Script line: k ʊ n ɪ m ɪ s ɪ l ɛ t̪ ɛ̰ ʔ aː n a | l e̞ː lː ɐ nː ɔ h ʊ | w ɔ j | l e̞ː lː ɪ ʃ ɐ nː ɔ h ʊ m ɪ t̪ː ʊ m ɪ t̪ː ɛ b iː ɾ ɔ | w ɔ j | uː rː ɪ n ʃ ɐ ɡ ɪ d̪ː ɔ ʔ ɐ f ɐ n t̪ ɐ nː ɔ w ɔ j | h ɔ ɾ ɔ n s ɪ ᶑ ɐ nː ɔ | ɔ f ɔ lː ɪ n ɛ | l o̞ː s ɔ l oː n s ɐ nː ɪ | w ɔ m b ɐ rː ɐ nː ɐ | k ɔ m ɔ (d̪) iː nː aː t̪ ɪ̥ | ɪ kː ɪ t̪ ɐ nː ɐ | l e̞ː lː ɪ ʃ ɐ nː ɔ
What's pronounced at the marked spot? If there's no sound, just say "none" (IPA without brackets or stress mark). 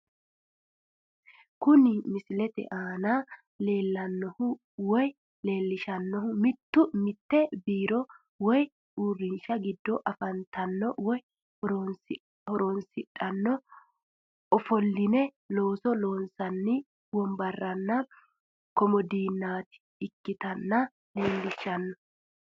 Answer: d̪